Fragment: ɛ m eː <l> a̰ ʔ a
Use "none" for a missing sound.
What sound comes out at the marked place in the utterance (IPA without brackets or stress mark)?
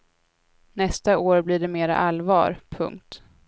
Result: ɾ